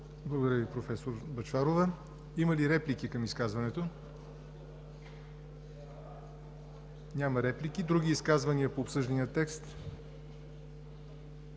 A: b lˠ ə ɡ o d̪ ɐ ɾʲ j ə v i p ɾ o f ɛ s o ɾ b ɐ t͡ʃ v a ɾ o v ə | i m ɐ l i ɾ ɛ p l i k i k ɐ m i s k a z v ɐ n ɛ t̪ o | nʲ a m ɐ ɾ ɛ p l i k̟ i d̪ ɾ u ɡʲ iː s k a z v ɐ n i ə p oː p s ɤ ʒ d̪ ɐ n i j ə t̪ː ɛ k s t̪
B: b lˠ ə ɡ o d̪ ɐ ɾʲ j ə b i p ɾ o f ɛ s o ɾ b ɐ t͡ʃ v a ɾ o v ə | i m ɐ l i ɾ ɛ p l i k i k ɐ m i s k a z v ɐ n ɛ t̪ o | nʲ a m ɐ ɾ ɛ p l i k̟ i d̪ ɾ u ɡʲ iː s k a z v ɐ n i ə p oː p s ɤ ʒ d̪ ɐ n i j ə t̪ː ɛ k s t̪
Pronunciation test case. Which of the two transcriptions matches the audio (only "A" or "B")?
A